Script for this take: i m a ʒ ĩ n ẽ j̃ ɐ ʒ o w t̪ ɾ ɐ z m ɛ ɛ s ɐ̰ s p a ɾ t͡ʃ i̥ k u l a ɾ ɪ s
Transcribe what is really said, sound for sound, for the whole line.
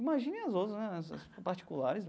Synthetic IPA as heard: i m a ʒ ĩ n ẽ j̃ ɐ z o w t̪ ɾ ɐ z n ɛ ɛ s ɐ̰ s p a ɾ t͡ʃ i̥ k u l a ɾ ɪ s

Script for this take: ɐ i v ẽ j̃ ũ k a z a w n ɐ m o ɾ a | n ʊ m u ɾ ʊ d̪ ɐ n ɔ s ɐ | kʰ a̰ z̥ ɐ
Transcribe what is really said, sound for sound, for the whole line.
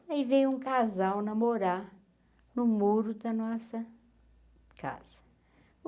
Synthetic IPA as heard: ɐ i v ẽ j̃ ũ k a z a w n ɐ m o ɾ a | n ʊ m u ɾ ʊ d̪ ɐ n ɔ s ɐ | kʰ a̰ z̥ ɐ

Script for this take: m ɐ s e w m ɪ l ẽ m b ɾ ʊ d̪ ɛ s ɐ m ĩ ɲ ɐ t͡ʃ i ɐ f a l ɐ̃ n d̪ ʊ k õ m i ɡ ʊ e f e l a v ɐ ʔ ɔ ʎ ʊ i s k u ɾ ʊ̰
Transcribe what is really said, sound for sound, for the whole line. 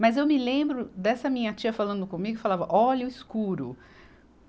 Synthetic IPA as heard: m ɐ z e w m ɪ l ẽ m b ɾ ʊ d̪ ɛ s ɐ m ĩ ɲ ɐ t͡ʃ i ɐ f a l ɐ̃ n d̪ ʊ k õ m i ɡ ʊ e f a l a v ɐ ʔ ɔ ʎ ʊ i s k u ɾ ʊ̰

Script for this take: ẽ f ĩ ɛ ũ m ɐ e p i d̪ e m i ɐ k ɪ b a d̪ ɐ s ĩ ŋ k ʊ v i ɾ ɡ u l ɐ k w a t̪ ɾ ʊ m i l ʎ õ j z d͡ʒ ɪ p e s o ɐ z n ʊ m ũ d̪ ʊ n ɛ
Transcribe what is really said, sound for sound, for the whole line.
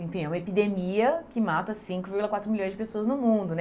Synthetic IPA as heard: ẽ f ĩ ɛ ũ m ɐ e p i d̪ e m i ɐ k ɪ m a t̪ ɐ s ĩ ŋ k ʊ v i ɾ ɡ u l ɐ k w a t̪ ɾ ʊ m i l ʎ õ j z d͡ʒ ɪ p e s o ɐ z n ʊ m ũ d̪ ʊ n ɛ

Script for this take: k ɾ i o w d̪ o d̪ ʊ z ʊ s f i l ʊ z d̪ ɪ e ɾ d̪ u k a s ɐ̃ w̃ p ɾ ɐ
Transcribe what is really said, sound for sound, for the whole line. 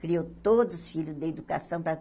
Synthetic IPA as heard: k ɾ i o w t̪ o d̪ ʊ z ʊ s f i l ʊ z d̪ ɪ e d̪ u k a s ɐ̃ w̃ p ɾ ɐ

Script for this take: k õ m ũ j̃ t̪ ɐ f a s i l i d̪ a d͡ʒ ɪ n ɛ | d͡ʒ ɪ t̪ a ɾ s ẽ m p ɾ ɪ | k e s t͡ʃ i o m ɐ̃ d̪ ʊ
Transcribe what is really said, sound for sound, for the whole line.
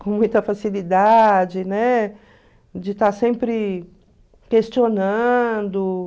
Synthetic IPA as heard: k õ m ũ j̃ t̪ ɐ f a s i l i d̪ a d͡ʒ ɪ n ɛ | d͡ʒ ɪ t̪ a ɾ s ẽ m p ɾ ɪ | k e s t͡ʃ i o n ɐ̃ d̪ ʊ

